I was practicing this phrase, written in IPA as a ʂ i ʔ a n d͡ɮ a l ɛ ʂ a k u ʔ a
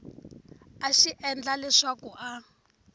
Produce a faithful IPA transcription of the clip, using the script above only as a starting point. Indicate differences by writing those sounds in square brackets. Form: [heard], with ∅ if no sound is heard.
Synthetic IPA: a [ʃ] i ʔ [ɛ] n d͡ɮ a l ɛ ʂ a k u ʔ a

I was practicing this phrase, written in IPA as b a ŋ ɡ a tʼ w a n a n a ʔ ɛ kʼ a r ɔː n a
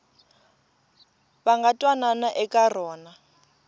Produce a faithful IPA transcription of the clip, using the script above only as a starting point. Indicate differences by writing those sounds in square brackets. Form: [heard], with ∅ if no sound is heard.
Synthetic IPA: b a ŋ ɡ a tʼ w a n a n a ʔ ɛ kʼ a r ɔː n a

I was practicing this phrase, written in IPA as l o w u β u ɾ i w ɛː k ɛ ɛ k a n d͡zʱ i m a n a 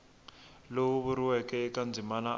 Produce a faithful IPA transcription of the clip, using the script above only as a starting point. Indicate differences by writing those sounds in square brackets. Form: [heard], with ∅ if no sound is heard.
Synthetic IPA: l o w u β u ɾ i w [ɛ] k ɛ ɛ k a n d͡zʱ i m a n a

